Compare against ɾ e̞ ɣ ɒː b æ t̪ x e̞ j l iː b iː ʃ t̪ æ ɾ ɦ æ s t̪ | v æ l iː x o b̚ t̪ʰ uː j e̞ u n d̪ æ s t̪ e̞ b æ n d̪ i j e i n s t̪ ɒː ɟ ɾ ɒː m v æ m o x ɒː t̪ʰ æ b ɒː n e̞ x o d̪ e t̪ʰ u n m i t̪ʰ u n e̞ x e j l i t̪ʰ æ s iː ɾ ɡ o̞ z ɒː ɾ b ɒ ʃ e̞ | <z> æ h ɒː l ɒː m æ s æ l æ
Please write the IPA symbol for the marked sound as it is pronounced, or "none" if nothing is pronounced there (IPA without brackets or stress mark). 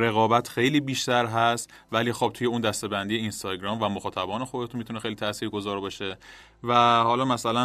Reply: v